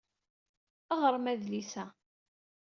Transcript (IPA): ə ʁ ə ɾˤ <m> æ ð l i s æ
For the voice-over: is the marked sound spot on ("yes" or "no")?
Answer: yes